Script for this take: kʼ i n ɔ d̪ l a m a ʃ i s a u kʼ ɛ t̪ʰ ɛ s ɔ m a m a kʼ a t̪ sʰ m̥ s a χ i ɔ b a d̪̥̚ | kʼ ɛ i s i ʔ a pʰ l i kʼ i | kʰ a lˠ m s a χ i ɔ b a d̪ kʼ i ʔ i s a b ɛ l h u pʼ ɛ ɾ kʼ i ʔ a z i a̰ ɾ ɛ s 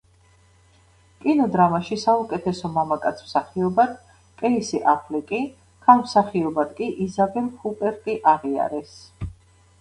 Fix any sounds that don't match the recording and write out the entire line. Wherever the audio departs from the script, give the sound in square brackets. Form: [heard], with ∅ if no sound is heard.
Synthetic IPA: kʼ i n ɔ d̪ [ɾ] a m a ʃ i s a u kʼ ɛ t̪ʰ ɛ s ɔ m a m a kʼ a t̪ sʰ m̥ s a χ i ɔ b a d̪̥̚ | kʼ ɛ i s i ʔ a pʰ l i kʼ i | kʰ a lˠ m s a χ i ɔ b a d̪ kʼ i ʔ i [z] a b ɛ l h u pʼ ɛ ɾ kʼ i ʔ a [ʁ] i a̰ ɾ ɛ s